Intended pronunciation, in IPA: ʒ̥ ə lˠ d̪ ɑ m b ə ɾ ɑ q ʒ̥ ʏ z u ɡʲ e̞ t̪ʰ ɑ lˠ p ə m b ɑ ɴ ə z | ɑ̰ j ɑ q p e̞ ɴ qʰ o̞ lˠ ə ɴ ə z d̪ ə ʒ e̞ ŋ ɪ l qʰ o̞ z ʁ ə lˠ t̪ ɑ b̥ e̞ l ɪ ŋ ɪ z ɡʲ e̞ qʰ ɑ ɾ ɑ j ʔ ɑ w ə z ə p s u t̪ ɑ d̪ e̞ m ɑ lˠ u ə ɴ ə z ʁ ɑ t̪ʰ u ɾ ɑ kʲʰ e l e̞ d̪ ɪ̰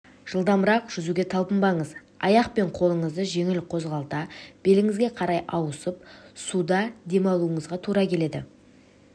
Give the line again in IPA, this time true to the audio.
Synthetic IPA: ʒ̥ ə lˠ d̪ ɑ m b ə ɾ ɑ q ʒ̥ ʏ z u ɡʲ e̞ t̪ʰ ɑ lˠ p ə m b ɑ ɴ ə z | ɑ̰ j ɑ q p e̞ ɴ qʰ o̞ lˠ ə ɴ ə z d̪ ə ʒ e̞ ŋ ɪ l qʰ o̞ z ʁ ɑ lˠ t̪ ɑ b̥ e̞ l ɪ ŋ ɪ z ɡʲ e̞ qʰ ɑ ɾ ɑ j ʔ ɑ w ə s ə p s u d̪ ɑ d̪ e̞ m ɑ lˠ u ə ɴ ə z ʁ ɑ t̪ʰ u ɾ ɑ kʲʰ e l e̞ d̪ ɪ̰

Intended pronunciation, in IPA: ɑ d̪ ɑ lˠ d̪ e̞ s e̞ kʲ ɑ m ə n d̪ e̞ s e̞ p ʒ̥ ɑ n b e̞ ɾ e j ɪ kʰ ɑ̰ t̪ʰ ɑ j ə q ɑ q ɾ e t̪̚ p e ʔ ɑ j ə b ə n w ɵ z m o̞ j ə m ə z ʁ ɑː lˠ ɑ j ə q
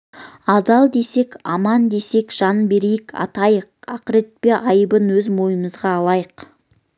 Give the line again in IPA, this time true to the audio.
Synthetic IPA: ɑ d̪ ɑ lˠ d̪ e̞ s e̞ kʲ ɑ m ɑ n d̪ e̞ s e̞ k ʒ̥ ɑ n b e̞ ɾ e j ɪ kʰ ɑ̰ t̪ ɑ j ə q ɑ q ɾ e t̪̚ p e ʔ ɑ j ə b ə n w ɵ z m o̞ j ə m ə z ʁ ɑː lˠ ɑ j ə q

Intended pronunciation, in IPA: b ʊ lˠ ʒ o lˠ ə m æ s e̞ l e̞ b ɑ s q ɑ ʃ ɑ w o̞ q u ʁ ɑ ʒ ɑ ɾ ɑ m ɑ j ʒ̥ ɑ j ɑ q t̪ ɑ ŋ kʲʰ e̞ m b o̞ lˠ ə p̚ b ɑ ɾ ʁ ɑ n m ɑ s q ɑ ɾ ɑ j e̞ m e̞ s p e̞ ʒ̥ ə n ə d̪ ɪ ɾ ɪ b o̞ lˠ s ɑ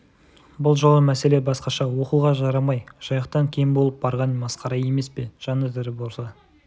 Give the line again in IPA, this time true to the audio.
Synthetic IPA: b ʊ lˠ ʒ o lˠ ə m æ s e̞ l e̞ b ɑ s q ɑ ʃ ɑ w o̞ q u ʁ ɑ ʒ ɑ ɾ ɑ m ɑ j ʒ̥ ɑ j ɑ q t̪ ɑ ŋ kʲʰ e̞ m b o̞ lˠ ə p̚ b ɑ ɾ ʁ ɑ n m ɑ s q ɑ ɾ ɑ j e̞ m e̞ s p e̞ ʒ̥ ɑ n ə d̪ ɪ ɾ ɪ b o̞ lˠ s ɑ

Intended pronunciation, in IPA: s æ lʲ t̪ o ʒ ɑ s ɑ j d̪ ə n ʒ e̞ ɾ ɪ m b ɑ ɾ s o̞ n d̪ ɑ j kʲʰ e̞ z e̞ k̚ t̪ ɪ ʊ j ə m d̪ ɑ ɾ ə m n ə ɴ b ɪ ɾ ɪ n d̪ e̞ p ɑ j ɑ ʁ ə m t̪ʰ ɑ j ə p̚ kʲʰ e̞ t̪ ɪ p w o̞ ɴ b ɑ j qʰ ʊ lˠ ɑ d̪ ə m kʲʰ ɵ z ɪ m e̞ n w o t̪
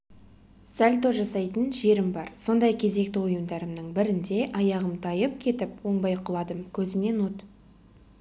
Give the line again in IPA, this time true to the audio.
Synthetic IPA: s æ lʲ t̪ o ʒ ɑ s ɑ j t̪ ə n ʒ e̞ ɾ ɪ m b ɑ ɾ s o̞ n d̪ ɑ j kʲʰ e̞ z e̞ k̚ t̪ ɪ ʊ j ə m d̪ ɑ ɾ ə m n ə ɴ b ɪ ɾ ɪ n d̪ e̞ ʔ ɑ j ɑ ʁ ə m t̪ʰ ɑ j ə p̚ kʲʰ e̞ t̪ ɪ p w o̞ ɴ b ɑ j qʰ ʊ lˠ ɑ d̪ ə m kʲʰ ɵ z ɪ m e̞ n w o t̪

